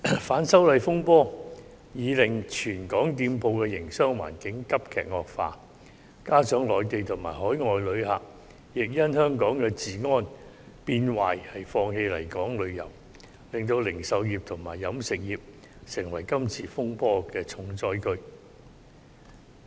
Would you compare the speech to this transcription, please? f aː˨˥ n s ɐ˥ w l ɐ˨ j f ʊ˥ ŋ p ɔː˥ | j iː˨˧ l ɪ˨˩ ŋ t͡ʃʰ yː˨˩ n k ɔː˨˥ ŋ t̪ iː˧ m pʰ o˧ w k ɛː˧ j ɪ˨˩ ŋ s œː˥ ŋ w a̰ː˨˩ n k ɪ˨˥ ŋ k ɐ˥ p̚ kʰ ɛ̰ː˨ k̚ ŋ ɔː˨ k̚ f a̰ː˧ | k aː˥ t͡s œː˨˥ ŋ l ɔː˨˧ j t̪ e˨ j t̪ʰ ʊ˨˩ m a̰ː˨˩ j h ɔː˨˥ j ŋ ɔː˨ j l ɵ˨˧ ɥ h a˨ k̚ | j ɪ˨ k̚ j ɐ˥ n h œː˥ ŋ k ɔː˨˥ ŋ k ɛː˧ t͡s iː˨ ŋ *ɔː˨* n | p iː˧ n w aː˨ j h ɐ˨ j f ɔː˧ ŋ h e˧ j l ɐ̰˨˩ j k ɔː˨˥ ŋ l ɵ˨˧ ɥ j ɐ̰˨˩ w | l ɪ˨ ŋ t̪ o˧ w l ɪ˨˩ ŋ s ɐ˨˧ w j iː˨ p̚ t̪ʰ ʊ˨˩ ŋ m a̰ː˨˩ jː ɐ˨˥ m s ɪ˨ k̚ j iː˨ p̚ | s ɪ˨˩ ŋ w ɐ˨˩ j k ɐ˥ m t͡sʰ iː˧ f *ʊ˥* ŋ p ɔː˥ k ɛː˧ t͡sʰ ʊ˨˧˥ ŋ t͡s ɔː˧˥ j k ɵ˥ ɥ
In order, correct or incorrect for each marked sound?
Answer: incorrect: ɔː˥, correct

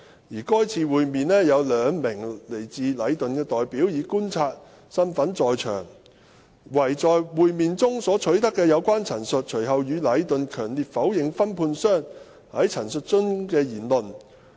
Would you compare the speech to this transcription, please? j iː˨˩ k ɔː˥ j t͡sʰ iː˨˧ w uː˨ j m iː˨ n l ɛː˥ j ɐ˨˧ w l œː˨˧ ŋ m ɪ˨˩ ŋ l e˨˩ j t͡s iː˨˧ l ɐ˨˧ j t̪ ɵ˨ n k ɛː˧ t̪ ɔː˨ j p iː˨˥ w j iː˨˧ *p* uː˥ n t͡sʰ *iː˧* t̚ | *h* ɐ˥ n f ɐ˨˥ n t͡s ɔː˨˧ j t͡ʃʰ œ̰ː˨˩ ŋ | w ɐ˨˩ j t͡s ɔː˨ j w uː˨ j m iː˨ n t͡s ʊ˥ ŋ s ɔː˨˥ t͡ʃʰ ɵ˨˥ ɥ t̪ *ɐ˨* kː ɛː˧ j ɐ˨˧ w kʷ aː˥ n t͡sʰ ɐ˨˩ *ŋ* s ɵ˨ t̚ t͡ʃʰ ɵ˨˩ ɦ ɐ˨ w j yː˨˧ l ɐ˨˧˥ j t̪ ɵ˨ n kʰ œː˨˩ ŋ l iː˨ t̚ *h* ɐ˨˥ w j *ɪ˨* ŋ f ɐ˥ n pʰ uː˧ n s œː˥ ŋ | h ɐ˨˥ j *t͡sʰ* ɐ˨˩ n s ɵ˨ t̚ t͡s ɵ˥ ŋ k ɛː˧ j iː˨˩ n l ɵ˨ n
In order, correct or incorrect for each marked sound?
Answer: incorrect: k, incorrect: aː˧, incorrect: s, incorrect: ɐ˥, incorrect: n, incorrect: f, correct, correct

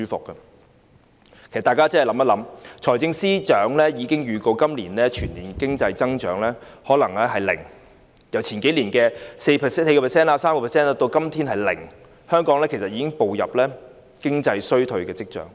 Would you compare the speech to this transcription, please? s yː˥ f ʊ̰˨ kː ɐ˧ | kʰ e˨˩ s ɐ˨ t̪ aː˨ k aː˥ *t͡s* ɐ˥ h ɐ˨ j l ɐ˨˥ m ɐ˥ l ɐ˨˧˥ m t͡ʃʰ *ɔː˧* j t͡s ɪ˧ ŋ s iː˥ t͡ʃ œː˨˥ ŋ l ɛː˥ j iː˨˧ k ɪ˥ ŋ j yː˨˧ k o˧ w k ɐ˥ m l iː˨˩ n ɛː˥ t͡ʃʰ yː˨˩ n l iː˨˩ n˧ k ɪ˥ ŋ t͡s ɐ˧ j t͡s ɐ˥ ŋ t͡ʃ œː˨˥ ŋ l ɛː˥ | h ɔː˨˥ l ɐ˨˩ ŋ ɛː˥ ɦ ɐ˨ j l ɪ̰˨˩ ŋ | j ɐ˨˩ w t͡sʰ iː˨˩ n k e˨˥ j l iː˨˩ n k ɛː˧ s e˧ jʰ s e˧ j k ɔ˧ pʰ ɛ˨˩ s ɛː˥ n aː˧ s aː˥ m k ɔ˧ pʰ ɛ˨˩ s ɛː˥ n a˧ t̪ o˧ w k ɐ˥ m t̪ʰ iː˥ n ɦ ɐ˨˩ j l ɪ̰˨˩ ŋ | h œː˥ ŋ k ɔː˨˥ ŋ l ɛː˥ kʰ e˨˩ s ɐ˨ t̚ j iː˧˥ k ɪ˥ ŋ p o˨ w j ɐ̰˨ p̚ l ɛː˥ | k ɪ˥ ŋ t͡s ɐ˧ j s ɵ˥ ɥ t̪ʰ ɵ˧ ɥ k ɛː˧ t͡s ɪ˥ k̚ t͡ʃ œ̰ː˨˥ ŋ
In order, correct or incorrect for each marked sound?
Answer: correct, incorrect: ɔː˨˩

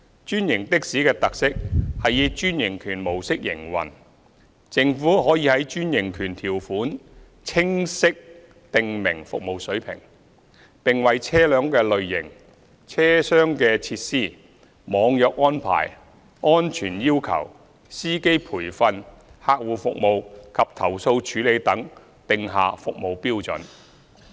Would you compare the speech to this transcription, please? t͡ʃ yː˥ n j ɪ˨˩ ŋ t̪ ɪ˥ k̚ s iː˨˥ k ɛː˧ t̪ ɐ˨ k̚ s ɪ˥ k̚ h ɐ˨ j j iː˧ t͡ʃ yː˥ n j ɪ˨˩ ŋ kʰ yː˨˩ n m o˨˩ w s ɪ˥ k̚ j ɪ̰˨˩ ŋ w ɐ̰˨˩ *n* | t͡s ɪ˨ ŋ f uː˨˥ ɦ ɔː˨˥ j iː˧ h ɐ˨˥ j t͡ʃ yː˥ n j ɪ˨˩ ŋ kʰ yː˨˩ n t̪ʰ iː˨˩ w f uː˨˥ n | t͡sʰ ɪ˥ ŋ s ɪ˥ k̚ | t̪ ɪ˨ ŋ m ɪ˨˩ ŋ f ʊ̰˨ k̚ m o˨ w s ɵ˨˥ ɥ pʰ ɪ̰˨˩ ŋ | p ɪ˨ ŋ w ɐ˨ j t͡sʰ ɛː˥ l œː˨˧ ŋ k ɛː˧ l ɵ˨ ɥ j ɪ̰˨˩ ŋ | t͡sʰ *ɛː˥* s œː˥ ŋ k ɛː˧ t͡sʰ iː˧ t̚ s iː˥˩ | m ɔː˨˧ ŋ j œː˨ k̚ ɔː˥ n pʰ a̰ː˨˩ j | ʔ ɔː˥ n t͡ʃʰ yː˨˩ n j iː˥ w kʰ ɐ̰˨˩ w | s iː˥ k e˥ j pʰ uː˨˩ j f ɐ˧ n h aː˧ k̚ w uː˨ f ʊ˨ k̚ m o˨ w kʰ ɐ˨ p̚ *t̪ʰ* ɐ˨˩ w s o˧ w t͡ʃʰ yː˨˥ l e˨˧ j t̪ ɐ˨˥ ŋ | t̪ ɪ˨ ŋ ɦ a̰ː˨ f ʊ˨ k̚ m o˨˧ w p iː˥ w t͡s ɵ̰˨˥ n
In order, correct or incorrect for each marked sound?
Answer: correct, correct, correct

